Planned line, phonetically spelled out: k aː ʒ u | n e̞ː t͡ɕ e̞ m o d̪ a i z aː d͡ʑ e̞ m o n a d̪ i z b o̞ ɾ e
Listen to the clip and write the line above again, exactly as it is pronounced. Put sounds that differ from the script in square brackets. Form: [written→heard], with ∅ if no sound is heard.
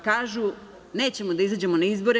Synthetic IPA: k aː ʒ u | n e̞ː t͡ɕ e̞ m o d̪ a i z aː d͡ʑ e̞ m o n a [d̪→∅] i z b o̞ ɾ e